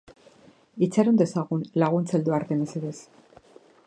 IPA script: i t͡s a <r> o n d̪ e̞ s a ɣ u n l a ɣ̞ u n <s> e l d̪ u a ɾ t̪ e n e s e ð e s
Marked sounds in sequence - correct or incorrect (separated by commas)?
incorrect, incorrect